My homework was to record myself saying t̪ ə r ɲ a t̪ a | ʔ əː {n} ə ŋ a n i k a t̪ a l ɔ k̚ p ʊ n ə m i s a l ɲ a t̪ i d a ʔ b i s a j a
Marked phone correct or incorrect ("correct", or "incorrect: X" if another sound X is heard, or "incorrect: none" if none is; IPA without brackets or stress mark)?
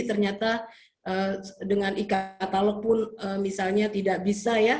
incorrect: d